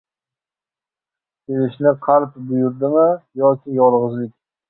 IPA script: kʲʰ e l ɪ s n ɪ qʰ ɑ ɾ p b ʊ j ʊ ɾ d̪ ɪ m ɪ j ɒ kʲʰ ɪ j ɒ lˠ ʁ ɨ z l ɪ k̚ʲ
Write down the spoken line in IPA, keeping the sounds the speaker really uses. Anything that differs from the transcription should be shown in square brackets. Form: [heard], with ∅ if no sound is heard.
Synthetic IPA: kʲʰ e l ɪ [ʃ] n ɪ qʰ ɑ ɾ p b ʊ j ʊ ɾ d̪ ɪ m ɪ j ɒ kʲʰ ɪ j ɒ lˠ ʁ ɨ z l ɪ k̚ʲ